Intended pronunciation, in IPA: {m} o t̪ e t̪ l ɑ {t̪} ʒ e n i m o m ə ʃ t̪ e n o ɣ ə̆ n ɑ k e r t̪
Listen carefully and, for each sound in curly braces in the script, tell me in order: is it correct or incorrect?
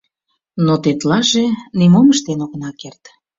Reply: incorrect: n, incorrect: none

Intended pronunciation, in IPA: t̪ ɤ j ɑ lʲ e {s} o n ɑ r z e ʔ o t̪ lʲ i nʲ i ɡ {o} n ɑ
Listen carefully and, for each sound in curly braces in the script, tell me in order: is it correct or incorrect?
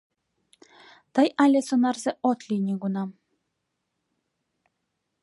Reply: correct, incorrect: u

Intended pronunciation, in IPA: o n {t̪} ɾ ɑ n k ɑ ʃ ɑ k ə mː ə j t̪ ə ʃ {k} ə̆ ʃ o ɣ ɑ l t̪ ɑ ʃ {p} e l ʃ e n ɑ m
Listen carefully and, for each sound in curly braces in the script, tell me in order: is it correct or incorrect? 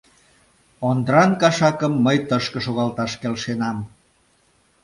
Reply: incorrect: d̪, correct, incorrect: k

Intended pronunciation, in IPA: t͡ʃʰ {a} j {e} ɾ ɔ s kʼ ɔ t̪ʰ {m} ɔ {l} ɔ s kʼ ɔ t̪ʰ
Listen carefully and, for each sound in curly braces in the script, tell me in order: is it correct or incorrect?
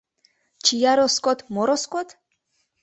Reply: incorrect: i, incorrect: a, correct, incorrect: ɾ

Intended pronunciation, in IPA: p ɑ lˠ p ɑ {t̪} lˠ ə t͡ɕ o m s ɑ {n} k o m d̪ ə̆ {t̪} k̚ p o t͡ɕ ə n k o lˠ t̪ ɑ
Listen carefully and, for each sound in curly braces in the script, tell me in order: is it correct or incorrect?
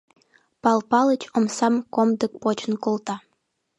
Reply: incorrect: none, incorrect: m, incorrect: none

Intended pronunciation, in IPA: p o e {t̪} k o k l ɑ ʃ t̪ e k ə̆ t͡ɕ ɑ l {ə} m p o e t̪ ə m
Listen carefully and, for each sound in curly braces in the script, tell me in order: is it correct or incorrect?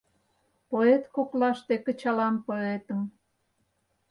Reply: correct, incorrect: ɑ

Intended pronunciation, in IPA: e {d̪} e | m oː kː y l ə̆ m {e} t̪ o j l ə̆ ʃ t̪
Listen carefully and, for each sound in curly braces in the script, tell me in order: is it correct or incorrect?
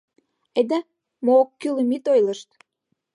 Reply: correct, incorrect: i

